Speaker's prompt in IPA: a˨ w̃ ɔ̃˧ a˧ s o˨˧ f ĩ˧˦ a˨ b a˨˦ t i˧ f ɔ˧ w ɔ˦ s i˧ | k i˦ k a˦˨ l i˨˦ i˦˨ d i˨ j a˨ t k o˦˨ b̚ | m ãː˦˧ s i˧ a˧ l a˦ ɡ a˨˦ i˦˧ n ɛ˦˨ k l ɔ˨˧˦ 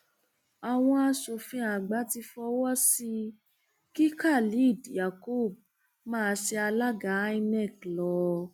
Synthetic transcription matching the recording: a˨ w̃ ɔ̃˧ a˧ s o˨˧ f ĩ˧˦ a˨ ɡ͡b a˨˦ t i˧ f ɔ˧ w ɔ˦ s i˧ | k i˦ k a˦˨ l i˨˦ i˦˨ d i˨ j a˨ k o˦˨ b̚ | m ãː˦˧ s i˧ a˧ l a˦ ɡ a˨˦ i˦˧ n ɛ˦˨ k l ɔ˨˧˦